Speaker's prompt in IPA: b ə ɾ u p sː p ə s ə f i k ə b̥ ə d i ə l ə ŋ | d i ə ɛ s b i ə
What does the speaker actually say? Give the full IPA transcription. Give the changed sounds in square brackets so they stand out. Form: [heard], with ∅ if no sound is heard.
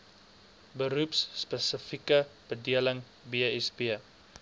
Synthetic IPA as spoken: b ə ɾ u p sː p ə s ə f i k ə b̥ ə d i ə l ə ŋ | [b] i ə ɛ s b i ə